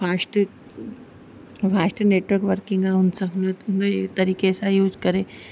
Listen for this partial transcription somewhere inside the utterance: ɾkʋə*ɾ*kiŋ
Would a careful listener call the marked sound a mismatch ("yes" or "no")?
no